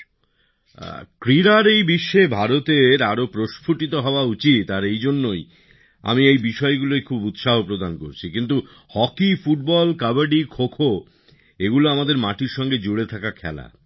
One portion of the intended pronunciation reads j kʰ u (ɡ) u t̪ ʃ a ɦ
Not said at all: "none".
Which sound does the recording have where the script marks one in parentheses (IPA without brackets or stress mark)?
b